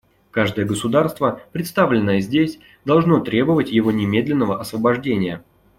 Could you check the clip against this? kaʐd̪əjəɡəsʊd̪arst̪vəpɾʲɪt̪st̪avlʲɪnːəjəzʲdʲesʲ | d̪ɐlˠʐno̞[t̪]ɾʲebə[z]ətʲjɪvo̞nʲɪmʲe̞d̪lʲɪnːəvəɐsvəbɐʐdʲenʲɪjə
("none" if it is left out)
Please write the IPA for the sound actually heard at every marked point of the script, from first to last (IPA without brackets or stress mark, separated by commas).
t̪, v